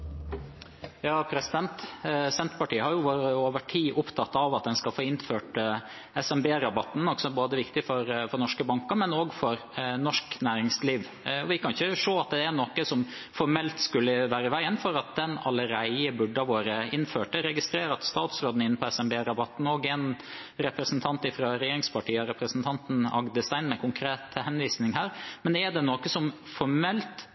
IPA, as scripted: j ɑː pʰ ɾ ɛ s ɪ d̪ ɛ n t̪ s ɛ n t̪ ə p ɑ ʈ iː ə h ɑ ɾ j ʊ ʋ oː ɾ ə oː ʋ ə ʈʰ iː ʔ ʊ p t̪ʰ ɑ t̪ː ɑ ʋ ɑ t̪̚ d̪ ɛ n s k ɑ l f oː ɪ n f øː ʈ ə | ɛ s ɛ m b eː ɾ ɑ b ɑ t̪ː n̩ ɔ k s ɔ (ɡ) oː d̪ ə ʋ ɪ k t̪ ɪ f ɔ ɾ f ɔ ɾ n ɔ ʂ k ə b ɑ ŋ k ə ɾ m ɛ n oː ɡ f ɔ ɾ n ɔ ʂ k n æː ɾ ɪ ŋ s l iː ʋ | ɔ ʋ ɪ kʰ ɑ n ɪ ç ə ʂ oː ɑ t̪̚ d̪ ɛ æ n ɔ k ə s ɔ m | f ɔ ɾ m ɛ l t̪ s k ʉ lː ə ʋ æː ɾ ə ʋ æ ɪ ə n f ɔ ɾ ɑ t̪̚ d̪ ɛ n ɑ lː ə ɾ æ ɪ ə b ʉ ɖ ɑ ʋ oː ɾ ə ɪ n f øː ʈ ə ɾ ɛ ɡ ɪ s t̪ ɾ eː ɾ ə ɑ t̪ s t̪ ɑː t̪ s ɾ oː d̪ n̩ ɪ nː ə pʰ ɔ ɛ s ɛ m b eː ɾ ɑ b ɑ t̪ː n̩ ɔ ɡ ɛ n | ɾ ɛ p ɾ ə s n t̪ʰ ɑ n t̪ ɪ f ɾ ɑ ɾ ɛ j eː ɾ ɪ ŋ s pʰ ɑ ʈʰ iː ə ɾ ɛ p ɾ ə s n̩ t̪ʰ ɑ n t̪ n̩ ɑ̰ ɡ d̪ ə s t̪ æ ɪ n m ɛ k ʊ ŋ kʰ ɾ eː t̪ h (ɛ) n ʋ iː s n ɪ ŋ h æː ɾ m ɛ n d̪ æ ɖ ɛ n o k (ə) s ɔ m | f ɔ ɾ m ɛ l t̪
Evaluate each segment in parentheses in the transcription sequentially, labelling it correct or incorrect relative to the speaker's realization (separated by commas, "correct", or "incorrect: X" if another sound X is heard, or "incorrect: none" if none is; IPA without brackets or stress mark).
incorrect: b, correct, correct